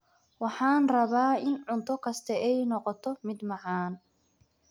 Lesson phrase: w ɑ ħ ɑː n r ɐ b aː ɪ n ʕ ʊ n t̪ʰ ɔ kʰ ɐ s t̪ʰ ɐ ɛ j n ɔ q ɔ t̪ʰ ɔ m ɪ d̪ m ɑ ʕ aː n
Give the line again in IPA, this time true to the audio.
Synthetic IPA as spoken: w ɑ ħ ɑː n r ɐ β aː ɪ n ʕ ʊ n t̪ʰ ɔ kʰ ɐ s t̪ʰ ɐ ɛ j n ɔ q ɔ t̪ʰ ɔ m ɪ d̪ m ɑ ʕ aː n